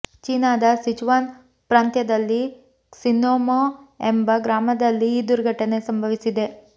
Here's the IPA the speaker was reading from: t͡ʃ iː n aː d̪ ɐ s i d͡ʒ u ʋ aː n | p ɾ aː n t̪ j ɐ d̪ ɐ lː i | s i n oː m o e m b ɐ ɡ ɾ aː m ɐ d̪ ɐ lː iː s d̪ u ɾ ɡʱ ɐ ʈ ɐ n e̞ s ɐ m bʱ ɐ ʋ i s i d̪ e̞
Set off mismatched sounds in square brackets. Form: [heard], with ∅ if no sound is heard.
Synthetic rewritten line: t͡ʃ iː n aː d̪ ɐ s i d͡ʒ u ʋ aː n | p ɾ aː n t̪ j ɐ d̪ ɐ lː i | s i n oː m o e m b ɐ ɡ ɾ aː m ɐ d̪ ɐ lː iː [∅] d̪ u ɾ ɡʱ ɐ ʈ ɐ n e̞ s ɐ m bʱ ɐ ʋ i s i d̪ e̞